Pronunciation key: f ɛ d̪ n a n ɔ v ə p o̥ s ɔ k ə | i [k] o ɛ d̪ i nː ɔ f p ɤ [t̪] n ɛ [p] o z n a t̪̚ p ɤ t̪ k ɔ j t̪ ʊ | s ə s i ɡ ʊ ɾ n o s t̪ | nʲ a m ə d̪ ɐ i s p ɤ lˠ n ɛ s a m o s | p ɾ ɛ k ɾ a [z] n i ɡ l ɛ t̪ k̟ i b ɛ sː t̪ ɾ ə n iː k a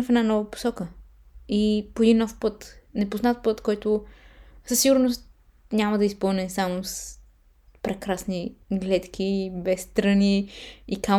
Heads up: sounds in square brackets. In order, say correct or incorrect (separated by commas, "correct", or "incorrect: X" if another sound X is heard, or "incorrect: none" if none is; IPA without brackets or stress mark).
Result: incorrect: p, correct, correct, incorrect: s